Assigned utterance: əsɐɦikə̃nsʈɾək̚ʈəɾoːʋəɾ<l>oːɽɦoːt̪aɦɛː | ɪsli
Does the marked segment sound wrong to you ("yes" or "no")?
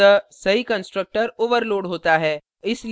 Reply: no